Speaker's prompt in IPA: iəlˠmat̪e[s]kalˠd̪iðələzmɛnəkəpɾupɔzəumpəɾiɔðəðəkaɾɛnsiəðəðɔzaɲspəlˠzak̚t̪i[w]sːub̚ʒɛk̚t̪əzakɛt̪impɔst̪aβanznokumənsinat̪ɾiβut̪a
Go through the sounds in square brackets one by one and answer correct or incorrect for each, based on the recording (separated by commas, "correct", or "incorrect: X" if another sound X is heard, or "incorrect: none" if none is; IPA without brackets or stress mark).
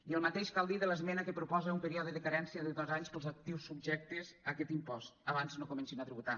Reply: incorrect: ʃ, correct